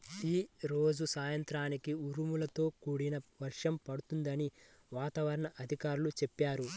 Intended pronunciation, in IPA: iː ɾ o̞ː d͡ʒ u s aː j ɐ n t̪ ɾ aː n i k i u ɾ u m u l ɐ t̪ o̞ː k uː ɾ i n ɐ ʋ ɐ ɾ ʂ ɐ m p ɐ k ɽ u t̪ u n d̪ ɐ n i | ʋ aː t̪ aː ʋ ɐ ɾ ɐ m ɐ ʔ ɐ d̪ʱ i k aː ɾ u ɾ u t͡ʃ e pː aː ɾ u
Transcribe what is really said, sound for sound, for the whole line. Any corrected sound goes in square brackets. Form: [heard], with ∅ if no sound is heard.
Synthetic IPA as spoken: iː ɾ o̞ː d͡ʒ u s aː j ɐ n t̪ ɾ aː n i k i u ɾ u m u l ɐ t̪ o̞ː k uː [ɽ] i n ɐ ʋ ɐ ɾ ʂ ɐ m p ɐ [∅] ɽ u t̪ u n d̪ ɐ n i | ʋ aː t̪ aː ʋ ɐ ɾ ɐ [ɳ] ɐ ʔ ɐ d̪ʱ i k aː ɾ u [l] u t͡ʃ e pː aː ɾ u